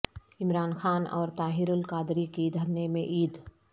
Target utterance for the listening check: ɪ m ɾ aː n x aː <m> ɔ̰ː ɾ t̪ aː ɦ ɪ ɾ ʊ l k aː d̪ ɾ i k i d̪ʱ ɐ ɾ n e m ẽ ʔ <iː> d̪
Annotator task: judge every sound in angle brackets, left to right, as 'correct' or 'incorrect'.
incorrect, correct

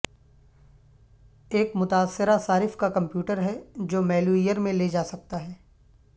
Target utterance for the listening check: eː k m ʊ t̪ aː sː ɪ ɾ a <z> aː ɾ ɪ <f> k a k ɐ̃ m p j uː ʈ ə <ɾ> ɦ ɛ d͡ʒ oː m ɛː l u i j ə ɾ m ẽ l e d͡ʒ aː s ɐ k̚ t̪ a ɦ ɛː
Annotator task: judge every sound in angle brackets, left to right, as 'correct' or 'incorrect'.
incorrect, correct, correct

